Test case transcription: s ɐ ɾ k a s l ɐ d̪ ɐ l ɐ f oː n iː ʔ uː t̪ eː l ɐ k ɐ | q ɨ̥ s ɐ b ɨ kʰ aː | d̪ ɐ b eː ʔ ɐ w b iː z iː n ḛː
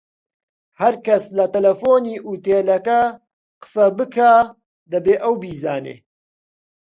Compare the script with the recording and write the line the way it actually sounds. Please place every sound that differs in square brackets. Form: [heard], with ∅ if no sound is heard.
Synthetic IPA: [h] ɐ ɾ k [ɐ] s l ɐ [t̪] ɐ l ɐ f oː n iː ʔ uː t̪ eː l ɐ k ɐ | q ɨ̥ s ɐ b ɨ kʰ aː | d̪ ɐ b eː ʔ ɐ w b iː z [aː] n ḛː